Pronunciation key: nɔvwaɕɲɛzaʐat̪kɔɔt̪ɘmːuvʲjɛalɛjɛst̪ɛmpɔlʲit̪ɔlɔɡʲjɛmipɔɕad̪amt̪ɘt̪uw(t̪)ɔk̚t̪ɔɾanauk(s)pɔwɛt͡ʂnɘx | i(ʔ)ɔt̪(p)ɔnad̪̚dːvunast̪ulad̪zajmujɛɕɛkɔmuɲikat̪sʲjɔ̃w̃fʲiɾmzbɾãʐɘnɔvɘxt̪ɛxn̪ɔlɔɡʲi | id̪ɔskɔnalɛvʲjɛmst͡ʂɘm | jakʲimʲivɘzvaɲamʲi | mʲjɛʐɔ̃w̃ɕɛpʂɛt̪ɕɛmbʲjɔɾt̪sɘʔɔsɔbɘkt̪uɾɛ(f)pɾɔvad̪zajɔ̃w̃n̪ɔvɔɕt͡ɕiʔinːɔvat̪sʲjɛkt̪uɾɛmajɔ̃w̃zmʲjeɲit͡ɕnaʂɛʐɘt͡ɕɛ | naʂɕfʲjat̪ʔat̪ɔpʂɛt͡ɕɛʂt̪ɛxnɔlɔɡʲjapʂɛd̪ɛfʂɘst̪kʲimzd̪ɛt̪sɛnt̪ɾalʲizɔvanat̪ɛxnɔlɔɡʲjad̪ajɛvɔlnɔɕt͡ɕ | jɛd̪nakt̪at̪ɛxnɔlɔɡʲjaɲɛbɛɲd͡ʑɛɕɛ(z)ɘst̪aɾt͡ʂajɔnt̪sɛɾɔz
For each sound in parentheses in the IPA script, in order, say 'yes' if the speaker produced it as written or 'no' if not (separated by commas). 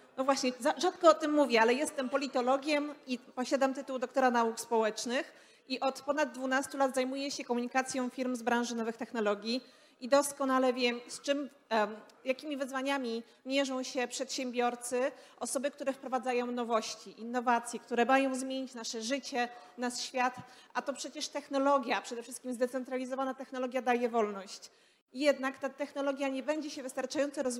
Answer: no, yes, yes, yes, yes, no